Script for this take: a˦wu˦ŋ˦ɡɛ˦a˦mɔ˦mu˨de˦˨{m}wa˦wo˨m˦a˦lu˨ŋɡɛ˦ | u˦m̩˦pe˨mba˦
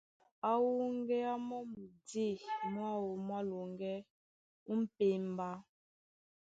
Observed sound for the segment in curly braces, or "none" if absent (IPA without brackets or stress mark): m